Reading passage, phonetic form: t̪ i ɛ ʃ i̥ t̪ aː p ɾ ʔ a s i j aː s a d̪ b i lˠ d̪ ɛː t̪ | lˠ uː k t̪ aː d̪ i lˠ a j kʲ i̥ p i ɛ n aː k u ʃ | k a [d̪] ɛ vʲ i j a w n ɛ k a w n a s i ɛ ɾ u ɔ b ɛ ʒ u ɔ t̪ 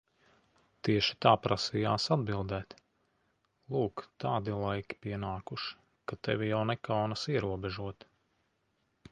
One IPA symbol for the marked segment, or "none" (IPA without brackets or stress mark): t̪